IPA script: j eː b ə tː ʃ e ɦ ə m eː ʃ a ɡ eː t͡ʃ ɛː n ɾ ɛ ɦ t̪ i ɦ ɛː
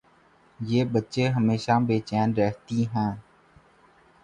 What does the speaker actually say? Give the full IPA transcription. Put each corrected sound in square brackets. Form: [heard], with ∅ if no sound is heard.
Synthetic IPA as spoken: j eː b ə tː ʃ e ɦ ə m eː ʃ a [b] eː t͡ʃ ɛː n ɾ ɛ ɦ t̪ i ɦ [ɛ̃ː]